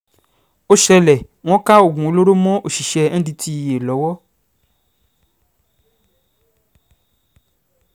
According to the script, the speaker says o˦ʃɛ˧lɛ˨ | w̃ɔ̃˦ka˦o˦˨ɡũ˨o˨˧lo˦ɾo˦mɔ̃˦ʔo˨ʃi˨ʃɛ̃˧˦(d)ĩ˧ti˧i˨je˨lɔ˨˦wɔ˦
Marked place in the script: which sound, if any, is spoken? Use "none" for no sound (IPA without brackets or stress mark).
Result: d